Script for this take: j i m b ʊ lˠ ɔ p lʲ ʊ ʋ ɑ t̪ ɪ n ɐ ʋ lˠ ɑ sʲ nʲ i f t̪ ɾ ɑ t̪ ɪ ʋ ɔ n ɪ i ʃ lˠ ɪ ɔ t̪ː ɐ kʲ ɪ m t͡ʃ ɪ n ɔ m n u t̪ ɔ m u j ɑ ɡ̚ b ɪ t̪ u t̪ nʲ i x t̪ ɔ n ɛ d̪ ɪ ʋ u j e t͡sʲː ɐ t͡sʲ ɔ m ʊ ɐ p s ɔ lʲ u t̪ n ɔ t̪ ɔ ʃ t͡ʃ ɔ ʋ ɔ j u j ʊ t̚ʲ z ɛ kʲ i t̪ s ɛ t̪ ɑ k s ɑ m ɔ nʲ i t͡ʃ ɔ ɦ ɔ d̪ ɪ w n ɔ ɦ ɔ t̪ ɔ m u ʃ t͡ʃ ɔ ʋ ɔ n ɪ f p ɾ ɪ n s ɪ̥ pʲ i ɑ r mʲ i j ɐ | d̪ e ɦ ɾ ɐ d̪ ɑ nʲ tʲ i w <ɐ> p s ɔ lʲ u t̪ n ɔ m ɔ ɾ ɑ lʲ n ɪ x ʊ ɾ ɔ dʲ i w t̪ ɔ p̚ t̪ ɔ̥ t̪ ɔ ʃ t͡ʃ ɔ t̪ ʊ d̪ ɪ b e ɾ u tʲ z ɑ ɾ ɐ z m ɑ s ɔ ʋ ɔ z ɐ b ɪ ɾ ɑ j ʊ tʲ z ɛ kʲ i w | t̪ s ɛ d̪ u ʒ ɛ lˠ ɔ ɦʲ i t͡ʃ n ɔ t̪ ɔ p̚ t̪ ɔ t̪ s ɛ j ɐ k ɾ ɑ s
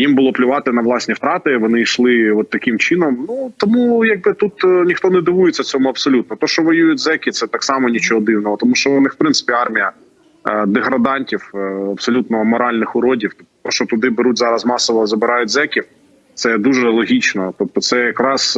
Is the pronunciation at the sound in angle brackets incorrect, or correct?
correct